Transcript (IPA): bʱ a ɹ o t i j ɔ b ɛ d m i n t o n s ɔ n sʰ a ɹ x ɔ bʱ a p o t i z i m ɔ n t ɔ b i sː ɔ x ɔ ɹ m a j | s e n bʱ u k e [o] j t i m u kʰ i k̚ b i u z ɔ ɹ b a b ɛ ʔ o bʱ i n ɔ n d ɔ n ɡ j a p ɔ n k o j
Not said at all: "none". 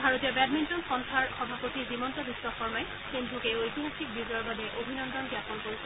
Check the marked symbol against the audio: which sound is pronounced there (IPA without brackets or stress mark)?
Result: o